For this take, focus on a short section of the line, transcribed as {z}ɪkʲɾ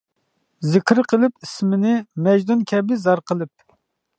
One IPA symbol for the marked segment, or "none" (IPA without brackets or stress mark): z